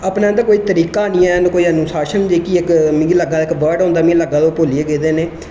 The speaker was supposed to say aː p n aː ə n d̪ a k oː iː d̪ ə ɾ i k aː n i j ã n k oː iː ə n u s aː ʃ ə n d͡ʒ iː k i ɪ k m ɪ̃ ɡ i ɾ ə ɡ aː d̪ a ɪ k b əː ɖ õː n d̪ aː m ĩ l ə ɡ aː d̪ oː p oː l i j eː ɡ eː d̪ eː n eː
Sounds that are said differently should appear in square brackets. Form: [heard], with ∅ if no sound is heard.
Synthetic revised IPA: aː p n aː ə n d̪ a k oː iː [t̪] ə ɾ [iː] k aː n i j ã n k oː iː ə n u s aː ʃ ə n d͡ʒ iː k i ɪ k m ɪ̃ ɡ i [l] ə ɡ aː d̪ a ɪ k b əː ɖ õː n d̪ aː m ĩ l ə ɡ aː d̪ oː p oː l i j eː ɡ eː d̪ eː n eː